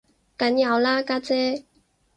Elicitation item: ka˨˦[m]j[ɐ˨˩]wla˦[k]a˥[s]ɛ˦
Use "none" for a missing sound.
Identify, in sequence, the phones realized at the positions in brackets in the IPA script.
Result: n, a˨˩, k, t͡s

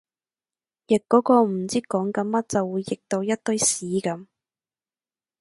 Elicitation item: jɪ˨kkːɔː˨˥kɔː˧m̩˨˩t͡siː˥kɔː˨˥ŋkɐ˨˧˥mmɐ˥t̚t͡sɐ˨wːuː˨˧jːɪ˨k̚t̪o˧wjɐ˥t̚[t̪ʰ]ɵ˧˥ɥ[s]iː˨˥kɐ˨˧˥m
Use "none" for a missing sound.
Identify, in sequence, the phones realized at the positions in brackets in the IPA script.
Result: t̪, s

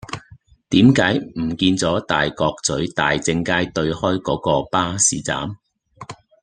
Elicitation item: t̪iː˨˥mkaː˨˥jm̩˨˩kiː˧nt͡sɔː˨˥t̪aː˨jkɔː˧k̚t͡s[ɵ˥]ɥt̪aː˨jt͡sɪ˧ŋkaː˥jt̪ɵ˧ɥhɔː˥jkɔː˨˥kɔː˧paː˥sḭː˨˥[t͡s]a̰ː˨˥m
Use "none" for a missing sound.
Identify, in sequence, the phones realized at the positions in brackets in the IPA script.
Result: ɵ˨˥, t͡s

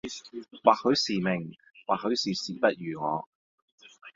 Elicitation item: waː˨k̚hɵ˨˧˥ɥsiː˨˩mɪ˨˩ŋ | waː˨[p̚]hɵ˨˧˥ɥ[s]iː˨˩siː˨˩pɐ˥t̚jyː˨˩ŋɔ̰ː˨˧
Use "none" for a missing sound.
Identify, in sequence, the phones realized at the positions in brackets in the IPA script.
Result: k̚, s

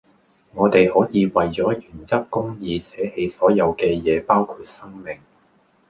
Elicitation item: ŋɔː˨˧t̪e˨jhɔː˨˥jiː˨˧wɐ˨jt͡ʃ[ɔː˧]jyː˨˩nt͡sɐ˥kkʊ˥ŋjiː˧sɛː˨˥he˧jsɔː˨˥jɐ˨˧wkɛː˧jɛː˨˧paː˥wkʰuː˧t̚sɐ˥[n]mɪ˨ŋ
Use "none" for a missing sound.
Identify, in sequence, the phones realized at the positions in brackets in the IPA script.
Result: ɔː˨˥, ŋ

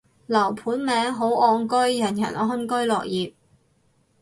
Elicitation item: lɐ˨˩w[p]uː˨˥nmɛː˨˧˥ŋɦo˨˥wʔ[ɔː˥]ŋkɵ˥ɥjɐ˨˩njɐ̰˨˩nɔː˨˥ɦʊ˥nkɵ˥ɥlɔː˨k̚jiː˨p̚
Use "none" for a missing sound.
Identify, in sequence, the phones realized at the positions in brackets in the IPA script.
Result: pʰ, ɔː˧

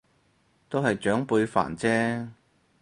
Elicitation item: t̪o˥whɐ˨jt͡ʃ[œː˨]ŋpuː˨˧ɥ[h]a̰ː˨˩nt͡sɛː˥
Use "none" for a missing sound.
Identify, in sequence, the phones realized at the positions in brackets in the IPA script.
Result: œː˨˥, f

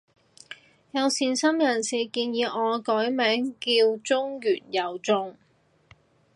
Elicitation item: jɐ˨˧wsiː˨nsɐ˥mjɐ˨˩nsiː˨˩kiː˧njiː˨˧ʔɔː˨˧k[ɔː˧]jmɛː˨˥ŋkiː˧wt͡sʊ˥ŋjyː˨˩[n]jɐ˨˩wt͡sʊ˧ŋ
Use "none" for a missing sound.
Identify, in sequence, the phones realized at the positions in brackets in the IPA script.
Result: ɔː˨˥, n

